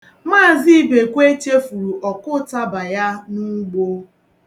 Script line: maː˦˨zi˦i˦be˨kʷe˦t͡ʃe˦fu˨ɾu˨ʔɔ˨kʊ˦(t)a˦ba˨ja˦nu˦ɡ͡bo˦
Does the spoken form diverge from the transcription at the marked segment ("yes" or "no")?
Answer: no